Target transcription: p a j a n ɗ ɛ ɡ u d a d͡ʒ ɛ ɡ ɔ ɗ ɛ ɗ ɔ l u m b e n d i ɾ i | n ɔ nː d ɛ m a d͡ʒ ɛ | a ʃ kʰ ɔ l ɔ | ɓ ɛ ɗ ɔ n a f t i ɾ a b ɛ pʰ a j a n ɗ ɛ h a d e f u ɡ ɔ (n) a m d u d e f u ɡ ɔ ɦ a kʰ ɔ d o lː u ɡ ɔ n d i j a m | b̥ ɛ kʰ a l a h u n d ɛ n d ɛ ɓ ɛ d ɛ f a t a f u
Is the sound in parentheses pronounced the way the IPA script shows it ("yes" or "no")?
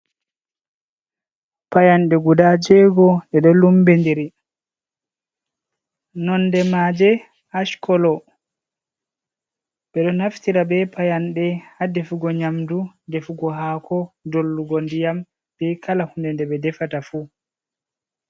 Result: no